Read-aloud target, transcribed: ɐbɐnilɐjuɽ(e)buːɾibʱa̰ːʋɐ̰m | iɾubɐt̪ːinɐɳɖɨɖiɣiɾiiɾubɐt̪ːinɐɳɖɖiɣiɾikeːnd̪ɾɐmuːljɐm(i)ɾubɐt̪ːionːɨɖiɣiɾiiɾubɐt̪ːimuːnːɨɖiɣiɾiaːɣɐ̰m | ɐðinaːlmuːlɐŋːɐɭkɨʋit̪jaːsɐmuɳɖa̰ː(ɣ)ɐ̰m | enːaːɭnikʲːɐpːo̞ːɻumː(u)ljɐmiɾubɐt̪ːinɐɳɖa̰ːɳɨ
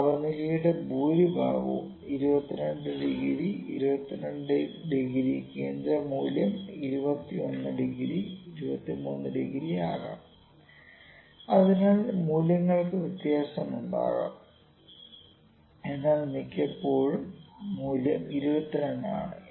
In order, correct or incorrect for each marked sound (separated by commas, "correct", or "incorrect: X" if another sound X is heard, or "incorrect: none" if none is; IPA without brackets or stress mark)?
correct, correct, correct, incorrect: uː